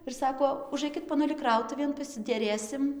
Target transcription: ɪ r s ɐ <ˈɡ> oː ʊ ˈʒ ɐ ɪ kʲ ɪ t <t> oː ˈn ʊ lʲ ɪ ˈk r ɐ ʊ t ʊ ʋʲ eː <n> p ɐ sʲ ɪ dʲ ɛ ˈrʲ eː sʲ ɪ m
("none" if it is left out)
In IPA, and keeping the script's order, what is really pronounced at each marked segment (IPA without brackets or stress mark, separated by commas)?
k, p, n